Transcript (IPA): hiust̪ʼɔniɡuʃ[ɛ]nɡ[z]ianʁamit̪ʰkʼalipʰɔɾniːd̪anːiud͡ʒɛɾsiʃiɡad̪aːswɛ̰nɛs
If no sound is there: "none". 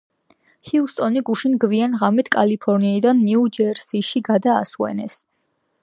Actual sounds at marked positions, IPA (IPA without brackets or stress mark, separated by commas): i, v